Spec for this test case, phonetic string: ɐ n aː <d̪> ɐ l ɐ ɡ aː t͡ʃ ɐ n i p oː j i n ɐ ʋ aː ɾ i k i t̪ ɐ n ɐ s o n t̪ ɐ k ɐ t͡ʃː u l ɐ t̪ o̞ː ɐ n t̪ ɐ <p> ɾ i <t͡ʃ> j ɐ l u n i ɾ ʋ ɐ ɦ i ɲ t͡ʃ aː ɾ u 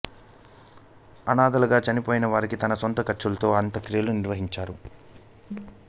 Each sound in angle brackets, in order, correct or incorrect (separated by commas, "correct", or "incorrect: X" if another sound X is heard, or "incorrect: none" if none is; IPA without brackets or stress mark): correct, incorrect: k, incorrect: none